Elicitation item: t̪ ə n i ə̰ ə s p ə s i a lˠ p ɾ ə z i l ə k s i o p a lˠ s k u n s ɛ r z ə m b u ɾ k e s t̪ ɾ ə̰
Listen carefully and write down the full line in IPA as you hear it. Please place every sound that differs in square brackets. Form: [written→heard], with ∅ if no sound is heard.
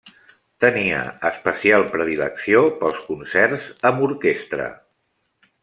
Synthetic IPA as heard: t̪ ə n i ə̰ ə s p ə s i a lˠ p ɾ ə [z→ð] i l ə k s i o p [a→ə] lˠ s k u n s ɛ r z ə m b u ɾ k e s t̪ ɾ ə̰